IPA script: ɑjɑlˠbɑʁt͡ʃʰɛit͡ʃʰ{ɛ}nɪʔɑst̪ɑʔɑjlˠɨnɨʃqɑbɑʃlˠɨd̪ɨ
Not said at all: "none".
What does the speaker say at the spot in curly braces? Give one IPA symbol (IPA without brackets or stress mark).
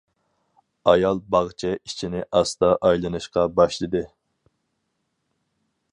i